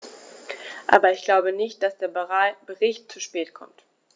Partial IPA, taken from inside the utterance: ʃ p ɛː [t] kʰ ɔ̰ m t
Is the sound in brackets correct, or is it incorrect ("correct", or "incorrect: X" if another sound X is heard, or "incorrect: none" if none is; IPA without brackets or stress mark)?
correct